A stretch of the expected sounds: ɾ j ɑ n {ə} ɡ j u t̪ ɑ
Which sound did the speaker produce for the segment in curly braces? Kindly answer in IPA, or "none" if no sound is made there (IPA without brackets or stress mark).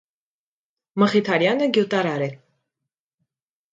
ə